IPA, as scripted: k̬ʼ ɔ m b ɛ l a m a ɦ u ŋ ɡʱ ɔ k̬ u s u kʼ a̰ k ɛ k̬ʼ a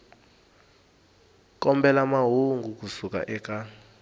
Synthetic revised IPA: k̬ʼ ɔ m b ɛ l a m a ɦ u ŋ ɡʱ u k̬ u s u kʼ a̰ ʔ ɛ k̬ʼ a